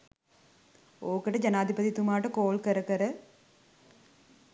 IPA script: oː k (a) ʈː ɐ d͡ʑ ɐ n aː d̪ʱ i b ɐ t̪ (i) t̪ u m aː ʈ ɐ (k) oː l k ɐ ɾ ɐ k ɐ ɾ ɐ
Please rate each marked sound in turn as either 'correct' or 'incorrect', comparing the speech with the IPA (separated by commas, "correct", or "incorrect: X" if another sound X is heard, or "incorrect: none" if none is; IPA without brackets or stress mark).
incorrect: ɐ, correct, correct